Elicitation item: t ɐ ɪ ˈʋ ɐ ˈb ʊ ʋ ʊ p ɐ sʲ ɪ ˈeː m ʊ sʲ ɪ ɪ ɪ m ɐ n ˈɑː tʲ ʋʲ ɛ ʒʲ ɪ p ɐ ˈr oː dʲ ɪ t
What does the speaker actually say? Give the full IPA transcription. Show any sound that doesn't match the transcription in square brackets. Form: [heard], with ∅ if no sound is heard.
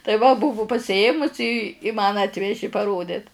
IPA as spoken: t ɐ ɪ ˈʋ ɐ ˈb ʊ ʋ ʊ p ɐ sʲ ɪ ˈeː m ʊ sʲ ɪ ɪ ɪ m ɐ n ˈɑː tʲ ʋʲ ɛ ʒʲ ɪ p ɐ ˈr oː dʲ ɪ t

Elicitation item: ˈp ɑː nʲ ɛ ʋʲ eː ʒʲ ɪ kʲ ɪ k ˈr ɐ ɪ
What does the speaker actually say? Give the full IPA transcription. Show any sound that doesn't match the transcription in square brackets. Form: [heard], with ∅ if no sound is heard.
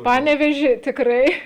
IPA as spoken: ˈp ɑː nʲ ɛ ʋʲ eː ʒʲ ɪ [tʲ] ɪ k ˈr ɐ ɪ

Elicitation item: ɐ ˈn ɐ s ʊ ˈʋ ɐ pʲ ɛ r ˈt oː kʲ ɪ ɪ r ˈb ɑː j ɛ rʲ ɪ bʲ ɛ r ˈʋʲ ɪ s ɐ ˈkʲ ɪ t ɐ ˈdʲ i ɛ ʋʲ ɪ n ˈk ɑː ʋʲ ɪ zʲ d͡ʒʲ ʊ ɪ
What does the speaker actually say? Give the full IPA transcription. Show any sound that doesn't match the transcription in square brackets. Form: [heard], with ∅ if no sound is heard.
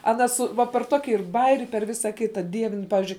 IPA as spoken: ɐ ˈn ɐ s ʊ ˈʋ ɐ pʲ ɛ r ˈt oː kʲ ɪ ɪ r ˈb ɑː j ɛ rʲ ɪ [pʲ] ɛ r ˈʋʲ ɪ s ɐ ˈkʲ ɪ t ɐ ˈdʲ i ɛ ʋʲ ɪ n [ˈp] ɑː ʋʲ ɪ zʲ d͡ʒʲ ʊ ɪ

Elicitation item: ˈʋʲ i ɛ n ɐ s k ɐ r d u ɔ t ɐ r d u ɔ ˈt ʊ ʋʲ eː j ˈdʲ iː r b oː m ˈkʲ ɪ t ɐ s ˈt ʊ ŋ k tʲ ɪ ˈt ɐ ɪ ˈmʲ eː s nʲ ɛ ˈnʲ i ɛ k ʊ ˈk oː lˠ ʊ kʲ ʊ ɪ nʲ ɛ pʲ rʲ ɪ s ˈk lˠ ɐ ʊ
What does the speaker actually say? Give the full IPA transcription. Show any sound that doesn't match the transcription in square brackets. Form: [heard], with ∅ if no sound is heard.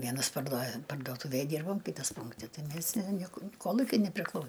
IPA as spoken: ˈʋʲ i ɛ n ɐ s [p] ɐ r d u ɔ [p] ɐ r d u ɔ ˈt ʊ ʋʲ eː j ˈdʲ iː r b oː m ˈkʲ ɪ t ɐ s [ˈp] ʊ ŋ k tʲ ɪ ˈt ɐ ɪ ˈmʲ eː s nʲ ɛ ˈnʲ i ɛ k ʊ ˈk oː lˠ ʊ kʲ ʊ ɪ nʲ ɛ pʲ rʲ ɪ [∅] ˈk lˠ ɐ ʊ

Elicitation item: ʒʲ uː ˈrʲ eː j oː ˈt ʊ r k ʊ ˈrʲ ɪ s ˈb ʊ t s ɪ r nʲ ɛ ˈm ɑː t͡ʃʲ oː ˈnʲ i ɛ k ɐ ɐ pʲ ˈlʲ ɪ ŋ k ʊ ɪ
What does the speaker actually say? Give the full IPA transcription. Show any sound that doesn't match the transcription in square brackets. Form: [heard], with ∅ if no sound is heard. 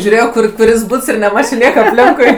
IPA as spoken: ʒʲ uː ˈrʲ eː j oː [ˈk] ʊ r k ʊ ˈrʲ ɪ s ˈb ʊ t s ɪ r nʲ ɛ ˈm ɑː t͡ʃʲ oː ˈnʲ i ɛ k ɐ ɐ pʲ ˈlʲ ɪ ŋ k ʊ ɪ

